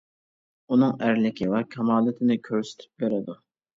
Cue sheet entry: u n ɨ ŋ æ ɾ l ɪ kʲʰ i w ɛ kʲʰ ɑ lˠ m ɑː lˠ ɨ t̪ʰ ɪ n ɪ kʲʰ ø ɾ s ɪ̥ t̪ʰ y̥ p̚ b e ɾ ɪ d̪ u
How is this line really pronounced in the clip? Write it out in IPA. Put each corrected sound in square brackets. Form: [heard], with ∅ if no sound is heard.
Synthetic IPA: u n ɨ ŋ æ ɾ l ɪ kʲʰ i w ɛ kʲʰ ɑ [∅] m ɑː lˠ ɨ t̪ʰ ɪ n ɪ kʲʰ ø ɾ s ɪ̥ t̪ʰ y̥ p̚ b e ɾ ɪ d̪ u